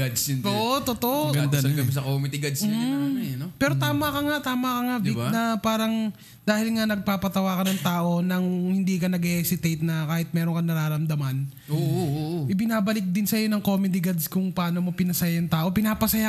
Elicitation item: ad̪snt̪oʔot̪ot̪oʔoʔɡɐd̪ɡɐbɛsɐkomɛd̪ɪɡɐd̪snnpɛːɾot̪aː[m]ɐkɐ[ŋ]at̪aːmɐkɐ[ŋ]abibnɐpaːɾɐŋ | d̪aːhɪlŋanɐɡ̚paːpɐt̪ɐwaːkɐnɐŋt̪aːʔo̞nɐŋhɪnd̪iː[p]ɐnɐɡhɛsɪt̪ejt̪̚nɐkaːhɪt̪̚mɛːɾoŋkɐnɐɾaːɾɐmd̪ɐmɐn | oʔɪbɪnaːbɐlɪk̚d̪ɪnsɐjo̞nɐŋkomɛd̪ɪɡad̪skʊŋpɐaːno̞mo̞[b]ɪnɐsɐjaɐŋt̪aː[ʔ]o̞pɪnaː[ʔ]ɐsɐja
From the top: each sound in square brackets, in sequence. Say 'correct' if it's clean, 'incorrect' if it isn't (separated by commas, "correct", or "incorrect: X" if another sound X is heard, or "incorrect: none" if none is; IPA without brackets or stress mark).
correct, correct, correct, incorrect: k, incorrect: p, correct, incorrect: p